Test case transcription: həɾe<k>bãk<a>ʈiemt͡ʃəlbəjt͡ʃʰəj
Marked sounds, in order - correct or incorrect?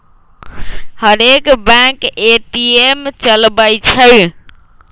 correct, incorrect: e

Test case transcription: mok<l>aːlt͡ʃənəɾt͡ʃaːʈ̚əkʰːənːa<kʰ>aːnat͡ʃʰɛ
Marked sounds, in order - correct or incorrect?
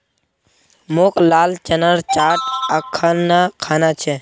correct, correct

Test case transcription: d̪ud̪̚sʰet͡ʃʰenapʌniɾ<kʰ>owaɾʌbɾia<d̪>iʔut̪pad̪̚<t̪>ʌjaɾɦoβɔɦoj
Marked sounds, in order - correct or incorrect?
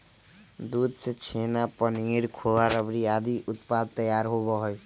correct, correct, correct

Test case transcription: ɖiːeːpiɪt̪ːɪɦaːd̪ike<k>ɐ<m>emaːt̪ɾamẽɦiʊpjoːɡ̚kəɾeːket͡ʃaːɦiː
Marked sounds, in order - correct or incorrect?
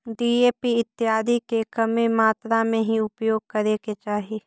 correct, correct

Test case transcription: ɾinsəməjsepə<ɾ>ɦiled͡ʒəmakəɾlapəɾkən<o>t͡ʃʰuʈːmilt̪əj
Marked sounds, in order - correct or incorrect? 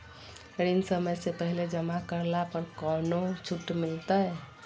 incorrect: none, correct

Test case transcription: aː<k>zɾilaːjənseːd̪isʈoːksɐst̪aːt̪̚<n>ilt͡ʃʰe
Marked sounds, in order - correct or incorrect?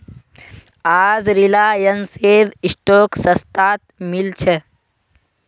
incorrect: none, incorrect: m

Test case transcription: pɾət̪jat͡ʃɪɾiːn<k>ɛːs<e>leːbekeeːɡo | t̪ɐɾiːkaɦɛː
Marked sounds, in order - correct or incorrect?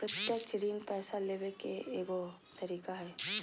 incorrect: p, incorrect: a

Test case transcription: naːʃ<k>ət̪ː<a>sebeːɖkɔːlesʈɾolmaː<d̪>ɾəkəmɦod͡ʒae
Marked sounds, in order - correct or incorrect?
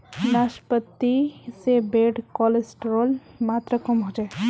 incorrect: p, incorrect: i, incorrect: t̪

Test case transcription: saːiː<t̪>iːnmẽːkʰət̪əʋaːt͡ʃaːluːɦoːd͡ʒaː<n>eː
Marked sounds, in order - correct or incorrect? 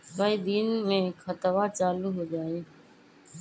incorrect: d̪, incorrect: none

